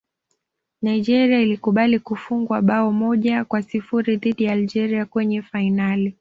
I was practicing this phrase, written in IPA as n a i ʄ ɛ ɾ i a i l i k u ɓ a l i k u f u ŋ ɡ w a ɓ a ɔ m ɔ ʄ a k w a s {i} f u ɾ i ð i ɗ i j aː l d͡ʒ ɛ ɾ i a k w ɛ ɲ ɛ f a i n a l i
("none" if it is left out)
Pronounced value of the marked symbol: i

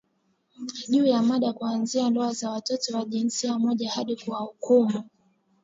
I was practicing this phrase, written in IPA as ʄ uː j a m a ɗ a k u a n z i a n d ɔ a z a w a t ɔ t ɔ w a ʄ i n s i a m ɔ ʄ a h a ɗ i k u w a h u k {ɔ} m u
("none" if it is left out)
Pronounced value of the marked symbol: u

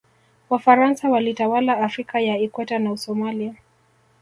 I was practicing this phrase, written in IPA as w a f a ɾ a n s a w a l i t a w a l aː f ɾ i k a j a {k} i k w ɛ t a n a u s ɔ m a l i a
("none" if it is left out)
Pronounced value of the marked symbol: none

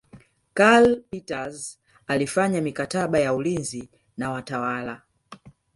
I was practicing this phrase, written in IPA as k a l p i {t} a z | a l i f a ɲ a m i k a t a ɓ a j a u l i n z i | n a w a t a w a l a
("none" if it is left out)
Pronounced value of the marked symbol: t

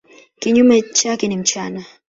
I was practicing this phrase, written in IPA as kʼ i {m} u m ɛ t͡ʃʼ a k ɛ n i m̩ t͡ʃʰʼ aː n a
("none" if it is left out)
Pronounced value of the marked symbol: ɲ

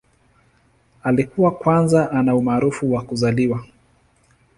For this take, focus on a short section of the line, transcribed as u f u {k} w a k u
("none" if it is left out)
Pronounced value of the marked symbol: none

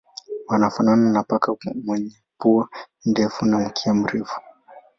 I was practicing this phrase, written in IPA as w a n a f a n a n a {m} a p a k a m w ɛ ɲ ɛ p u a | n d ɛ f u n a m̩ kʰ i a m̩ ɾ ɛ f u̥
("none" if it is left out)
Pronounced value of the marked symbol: n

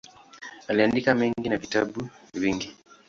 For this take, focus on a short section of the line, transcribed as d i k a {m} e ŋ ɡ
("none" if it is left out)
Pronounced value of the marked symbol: m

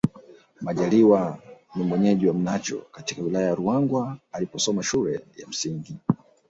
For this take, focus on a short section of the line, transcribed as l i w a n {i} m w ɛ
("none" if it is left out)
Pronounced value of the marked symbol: i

